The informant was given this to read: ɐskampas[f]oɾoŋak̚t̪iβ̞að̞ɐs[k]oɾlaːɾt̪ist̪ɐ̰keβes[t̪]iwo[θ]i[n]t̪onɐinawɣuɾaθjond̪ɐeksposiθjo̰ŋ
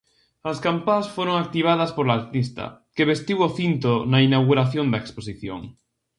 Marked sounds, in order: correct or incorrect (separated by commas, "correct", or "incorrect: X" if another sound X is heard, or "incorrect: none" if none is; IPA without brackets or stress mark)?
correct, incorrect: p, correct, correct, correct